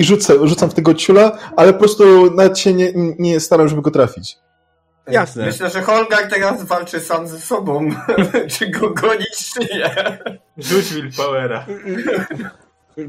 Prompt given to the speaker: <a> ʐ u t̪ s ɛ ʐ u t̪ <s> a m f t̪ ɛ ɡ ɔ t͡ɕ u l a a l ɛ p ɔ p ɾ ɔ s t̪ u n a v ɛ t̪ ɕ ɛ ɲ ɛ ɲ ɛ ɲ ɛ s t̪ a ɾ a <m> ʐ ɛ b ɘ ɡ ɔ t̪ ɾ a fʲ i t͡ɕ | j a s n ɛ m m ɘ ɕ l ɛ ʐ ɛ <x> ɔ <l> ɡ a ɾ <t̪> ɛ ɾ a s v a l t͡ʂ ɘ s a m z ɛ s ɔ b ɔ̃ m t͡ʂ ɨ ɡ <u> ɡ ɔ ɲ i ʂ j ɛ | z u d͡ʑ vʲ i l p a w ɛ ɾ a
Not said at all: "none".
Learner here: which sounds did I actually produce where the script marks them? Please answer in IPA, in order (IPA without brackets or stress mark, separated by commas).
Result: i, s, m, x, l, t̪, ɔ